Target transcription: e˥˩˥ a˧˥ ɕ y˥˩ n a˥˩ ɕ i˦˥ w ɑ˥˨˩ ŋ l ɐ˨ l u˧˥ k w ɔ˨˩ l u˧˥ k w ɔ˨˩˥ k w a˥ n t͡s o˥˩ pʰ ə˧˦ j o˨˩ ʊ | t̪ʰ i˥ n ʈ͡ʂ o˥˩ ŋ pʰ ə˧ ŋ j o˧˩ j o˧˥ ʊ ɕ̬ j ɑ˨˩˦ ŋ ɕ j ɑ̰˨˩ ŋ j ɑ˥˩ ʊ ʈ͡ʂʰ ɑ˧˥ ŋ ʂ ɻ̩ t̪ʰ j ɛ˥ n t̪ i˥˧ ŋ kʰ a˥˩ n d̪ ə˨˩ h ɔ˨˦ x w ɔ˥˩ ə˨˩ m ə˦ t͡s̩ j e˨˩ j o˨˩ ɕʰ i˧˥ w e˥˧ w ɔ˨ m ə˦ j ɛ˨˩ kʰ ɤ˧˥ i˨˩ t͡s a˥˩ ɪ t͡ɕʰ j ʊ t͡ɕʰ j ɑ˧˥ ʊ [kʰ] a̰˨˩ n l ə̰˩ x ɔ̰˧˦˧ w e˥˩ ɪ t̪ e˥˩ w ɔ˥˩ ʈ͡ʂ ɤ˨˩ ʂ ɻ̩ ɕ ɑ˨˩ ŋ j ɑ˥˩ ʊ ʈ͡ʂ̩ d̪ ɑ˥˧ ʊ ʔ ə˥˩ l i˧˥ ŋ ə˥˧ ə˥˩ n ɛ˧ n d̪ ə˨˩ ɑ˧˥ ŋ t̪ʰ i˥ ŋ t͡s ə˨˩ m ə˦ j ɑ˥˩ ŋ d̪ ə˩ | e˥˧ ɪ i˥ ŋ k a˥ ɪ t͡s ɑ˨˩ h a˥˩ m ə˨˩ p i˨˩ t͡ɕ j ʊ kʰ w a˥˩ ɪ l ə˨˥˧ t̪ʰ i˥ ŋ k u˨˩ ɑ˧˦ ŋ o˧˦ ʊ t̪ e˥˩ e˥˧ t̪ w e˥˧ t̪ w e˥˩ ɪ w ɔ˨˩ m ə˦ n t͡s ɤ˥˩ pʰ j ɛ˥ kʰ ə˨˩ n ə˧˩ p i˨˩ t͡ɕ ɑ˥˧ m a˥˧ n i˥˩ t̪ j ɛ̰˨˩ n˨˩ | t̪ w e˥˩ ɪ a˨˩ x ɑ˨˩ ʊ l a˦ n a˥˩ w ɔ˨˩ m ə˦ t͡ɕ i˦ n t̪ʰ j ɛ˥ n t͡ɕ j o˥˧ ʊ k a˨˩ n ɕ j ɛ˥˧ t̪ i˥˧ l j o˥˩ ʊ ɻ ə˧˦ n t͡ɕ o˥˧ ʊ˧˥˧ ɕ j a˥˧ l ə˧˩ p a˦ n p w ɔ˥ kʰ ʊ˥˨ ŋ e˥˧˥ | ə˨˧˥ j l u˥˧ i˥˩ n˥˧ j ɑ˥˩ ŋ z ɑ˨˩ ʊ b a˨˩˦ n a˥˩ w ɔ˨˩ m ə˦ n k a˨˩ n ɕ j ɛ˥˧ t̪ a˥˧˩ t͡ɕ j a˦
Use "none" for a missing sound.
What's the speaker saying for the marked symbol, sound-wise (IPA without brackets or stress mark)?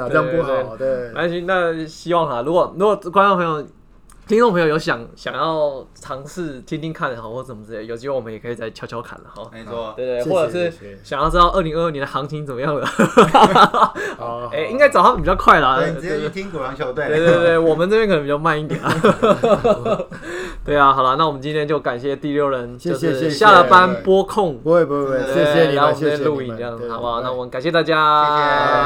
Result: kʰ